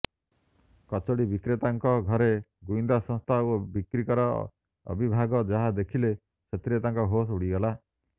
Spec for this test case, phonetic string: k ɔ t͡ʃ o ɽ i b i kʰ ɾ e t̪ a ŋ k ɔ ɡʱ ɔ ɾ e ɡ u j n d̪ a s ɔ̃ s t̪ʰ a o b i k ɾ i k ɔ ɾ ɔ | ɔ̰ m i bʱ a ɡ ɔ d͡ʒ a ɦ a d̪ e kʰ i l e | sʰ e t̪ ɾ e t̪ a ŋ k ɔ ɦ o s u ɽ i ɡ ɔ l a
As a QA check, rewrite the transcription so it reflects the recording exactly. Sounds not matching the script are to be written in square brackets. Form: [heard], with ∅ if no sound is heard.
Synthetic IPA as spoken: k ɔ t͡ʃ o ɽ i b i [k] ɾ e t̪ a ŋ k ɔ ɡʱ ɔ ɾ e ɡ u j n d̪ a s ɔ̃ s t̪ʰ a o b i k ɾ i k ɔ ɾ ɔ | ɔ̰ [b] i bʱ a ɡ ɔ d͡ʒ a ɦ a d̪ e kʰ i l e | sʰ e t̪ ɾ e t̪ a ŋ k ɔ ɦ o s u ɽ i ɡ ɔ l a